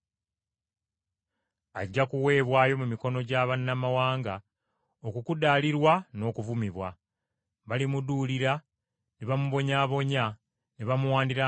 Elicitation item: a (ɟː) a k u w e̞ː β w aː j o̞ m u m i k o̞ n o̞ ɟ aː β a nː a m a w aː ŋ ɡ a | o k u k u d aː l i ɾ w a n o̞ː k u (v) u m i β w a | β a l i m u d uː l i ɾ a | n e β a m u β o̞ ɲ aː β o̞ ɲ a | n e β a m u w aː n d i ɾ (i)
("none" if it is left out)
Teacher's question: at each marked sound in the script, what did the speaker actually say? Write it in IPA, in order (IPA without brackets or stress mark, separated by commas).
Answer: ɟː, v, a